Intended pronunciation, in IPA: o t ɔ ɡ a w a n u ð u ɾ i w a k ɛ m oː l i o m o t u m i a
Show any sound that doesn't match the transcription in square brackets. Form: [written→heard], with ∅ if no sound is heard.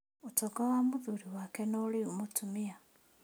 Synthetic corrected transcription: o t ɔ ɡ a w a [n→m] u ð u ɾ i w a k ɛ [m→n] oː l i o m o t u m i a